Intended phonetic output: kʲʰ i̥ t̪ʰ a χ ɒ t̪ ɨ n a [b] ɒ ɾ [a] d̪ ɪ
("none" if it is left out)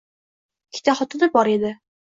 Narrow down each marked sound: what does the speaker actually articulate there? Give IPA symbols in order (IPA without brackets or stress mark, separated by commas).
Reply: b, e